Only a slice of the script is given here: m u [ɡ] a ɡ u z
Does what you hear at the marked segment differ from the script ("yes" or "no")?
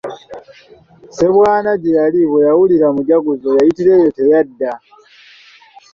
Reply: yes